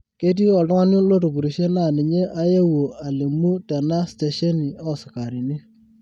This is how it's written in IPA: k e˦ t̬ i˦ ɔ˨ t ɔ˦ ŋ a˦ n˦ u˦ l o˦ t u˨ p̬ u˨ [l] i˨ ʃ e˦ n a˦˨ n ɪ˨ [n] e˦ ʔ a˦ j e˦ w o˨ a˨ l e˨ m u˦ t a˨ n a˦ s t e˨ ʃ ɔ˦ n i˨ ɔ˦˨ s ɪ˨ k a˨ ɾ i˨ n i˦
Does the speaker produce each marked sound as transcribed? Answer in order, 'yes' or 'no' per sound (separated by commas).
no, no